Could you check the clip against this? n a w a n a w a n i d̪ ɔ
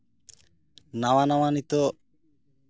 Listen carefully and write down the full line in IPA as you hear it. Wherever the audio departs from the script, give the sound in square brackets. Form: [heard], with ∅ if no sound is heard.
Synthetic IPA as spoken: n a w a n a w a n i [t̪] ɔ